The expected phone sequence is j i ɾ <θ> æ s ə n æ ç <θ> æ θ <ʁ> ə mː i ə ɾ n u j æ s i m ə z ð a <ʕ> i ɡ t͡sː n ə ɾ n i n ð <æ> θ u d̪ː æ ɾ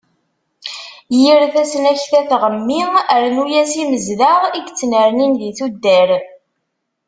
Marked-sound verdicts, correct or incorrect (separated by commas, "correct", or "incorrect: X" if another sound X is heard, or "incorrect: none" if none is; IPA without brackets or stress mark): correct, correct, correct, incorrect: ʁ, incorrect: i